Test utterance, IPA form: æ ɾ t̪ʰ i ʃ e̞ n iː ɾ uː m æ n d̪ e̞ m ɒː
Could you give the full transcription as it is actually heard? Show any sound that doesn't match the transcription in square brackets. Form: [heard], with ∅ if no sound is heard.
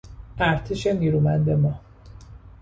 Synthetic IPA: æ ɾ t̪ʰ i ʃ e̞ n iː ɾ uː m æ n d̪ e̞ m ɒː